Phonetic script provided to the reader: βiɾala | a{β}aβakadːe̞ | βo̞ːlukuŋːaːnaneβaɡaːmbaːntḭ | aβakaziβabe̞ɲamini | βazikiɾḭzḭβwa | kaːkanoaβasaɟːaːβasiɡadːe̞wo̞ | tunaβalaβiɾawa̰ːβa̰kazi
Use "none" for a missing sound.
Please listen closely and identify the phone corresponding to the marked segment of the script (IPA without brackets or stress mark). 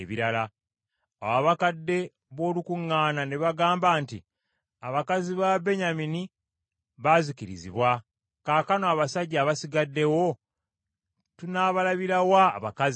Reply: w